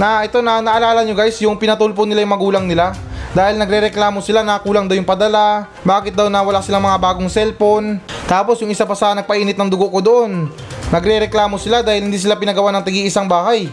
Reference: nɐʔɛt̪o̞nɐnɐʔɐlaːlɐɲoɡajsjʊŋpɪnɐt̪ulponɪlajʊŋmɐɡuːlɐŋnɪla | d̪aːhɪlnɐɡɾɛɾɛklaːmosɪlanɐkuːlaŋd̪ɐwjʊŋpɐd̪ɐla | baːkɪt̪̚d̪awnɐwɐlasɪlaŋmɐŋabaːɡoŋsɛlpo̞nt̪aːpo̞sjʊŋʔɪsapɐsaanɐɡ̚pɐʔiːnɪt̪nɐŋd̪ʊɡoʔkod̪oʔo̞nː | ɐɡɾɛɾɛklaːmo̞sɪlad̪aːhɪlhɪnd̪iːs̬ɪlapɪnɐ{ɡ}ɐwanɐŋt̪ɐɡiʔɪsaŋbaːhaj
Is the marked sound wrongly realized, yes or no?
no